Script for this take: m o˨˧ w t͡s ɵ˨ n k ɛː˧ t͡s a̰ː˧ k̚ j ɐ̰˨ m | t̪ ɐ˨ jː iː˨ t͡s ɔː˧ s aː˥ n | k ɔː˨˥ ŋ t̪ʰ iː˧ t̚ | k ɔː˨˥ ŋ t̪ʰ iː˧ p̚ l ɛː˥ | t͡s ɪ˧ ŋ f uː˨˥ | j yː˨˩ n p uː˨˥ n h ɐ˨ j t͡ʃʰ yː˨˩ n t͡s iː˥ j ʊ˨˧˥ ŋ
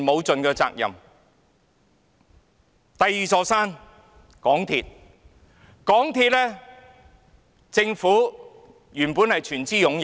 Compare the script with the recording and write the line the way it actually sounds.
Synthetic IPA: m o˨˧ w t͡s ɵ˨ n k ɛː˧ t͡s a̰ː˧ k̚ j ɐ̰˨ m | t̪ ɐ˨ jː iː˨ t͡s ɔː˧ s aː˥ n | k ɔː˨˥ ŋ t̪ʰ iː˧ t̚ | k ɔː˨˥ ŋ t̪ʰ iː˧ t̚ l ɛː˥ | t͡s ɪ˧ ŋ f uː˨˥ | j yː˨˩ n p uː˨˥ n h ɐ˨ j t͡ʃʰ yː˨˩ n t͡s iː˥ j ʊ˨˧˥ ŋ